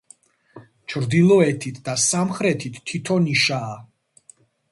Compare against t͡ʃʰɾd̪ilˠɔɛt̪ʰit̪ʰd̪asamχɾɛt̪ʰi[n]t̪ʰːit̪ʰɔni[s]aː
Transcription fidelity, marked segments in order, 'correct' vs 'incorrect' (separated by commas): incorrect, incorrect